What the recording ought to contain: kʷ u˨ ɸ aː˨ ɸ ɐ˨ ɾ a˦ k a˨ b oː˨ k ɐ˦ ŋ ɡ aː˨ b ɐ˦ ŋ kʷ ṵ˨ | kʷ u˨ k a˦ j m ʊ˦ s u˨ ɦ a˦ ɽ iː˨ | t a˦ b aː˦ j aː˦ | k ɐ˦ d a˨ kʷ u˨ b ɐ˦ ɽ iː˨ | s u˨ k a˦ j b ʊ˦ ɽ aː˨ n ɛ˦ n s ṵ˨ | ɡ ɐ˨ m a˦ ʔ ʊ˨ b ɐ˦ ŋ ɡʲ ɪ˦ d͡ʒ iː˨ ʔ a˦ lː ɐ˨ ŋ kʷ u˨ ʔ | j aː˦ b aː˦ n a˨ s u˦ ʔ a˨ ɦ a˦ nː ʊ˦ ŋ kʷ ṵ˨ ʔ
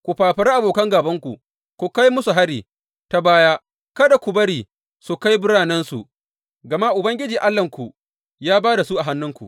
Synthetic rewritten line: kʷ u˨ ɸ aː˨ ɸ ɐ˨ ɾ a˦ ʔ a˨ b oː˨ k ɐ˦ ŋ ɡ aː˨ b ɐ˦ ŋ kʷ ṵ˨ | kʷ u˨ k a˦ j m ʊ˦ s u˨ ɦ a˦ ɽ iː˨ | t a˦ b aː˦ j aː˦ | k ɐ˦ d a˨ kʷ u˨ b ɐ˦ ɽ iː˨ | s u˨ k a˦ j b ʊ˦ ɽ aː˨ n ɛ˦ n s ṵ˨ | ɡ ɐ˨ m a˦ ʔ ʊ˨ b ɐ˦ ŋ ɡʲ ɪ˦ d͡ʒ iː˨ ʔ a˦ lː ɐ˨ ŋ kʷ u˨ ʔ | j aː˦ b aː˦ d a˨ s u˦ ʔ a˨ ɦ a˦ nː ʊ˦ ŋ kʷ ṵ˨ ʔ

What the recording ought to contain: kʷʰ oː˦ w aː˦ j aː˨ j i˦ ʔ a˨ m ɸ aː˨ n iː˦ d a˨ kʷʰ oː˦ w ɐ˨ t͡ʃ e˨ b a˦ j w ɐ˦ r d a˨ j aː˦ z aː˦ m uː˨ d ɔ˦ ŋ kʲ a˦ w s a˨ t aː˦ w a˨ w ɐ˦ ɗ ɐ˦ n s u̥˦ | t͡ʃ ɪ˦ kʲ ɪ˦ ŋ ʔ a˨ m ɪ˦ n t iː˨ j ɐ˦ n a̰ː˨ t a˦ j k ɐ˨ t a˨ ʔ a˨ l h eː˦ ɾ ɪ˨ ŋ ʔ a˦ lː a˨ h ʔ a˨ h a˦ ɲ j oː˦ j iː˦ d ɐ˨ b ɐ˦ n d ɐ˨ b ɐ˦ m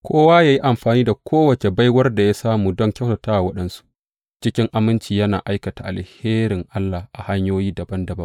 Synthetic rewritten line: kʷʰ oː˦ w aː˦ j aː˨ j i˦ ʔ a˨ m ɸ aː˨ n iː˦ d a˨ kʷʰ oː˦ w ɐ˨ t͡ʃ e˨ b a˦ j w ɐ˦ r d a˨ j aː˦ s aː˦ m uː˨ d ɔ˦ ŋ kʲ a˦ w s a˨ t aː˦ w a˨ w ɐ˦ ɗ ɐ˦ n s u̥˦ | t͡ʃ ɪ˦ kʲ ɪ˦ ŋ ʔ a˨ m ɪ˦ n t͡ʃ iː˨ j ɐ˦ n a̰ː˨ ʔ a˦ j k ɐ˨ t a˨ ʔ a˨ l h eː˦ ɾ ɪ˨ ŋ ʔ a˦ lː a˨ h ʔ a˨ h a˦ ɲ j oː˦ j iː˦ d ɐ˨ b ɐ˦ n d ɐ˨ b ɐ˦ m

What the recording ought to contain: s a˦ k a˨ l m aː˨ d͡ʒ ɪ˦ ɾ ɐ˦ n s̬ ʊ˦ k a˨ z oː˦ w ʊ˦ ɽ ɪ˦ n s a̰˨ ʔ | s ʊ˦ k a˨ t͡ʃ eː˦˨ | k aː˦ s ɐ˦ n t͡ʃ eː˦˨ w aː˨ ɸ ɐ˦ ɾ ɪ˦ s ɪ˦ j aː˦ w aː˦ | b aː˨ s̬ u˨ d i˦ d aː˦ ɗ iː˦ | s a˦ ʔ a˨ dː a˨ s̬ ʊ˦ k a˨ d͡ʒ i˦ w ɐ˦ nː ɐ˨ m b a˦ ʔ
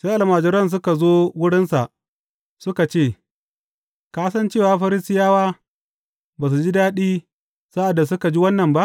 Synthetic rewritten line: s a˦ ʔ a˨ l m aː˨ d͡ʒ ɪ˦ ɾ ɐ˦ n s̬ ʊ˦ k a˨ z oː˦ w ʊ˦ ɽ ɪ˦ n s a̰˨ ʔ | s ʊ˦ k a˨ t͡ʃ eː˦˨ | k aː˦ s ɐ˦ n t͡ʃ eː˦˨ w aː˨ ɸ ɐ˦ ɾ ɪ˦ s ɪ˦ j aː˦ w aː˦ | b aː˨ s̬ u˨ d͡ʒ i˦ d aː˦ ɗ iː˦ | s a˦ ʔ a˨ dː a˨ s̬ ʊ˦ k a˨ d͡ʒ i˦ w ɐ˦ nː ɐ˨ m b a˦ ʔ

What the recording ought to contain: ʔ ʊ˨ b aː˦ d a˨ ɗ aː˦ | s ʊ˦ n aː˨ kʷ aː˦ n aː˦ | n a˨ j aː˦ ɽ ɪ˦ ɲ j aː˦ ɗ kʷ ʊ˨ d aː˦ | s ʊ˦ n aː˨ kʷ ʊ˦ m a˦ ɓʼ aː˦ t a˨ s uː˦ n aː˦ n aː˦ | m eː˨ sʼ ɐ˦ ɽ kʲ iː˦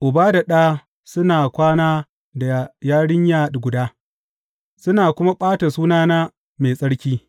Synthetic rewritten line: ʔ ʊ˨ b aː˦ d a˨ ɗ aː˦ | s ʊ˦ n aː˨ kʷ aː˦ n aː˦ | d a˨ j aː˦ ɽ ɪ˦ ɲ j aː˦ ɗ ɡʷ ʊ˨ d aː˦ | s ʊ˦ n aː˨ kʷ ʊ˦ m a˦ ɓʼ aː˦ t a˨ s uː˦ n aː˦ n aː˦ | m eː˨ sʼ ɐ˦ ɽ kʲ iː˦

